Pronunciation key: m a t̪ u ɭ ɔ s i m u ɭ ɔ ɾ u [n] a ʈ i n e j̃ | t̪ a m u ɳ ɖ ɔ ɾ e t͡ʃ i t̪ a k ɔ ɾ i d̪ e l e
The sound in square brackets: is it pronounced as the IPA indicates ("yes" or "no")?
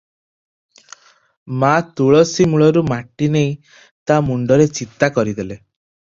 no